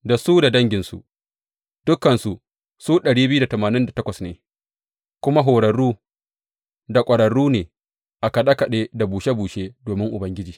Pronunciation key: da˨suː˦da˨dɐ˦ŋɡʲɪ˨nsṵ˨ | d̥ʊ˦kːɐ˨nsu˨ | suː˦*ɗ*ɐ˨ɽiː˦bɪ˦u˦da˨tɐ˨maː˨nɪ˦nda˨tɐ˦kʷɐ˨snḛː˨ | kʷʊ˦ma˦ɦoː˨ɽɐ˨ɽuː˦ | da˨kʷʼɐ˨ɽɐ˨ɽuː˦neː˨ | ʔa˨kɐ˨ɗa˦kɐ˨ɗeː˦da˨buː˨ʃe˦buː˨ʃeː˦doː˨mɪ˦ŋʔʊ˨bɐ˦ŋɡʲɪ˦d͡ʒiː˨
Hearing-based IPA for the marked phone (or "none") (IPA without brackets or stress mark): ɗ